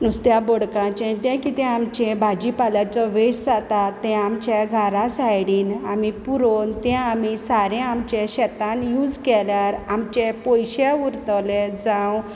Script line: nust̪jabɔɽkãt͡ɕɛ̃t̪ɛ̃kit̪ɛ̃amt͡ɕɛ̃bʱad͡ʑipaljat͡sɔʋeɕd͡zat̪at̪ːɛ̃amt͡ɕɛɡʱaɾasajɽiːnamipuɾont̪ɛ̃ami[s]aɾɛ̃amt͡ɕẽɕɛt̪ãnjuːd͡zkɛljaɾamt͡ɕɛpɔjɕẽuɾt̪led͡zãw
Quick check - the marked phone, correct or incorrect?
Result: correct